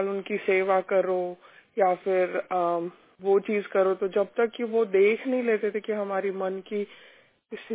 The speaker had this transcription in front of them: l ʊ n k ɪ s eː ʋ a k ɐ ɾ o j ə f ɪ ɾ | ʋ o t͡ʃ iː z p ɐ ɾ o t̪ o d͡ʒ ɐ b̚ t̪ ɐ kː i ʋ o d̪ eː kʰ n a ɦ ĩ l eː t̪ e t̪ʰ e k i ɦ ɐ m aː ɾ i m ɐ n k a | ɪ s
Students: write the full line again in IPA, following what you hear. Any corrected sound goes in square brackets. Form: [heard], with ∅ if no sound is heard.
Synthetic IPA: l ʊ n k [i] s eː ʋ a k ɐ ɾ o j [a] f ɪ ɾ | ʋ o t͡ʃ iː z [k] ɐ ɾ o t̪ o d͡ʒ ɐ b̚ t̪ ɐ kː i ʋ o d̪ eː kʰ n [ɐ] ɦ ĩ l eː t̪ e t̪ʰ e k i ɦ ɐ m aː ɾ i m ɐ n k [i] | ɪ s